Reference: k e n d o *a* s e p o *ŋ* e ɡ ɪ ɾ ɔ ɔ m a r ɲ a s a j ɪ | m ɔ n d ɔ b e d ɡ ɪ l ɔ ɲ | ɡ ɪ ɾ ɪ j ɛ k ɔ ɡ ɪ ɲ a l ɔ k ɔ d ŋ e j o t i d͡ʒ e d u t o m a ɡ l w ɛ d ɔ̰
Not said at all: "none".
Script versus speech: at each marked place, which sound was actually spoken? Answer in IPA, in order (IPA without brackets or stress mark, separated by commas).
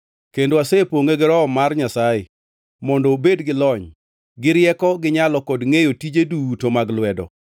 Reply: a, ŋ